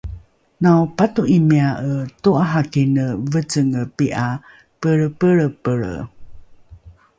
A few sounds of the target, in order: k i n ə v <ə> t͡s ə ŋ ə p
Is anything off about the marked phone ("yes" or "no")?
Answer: no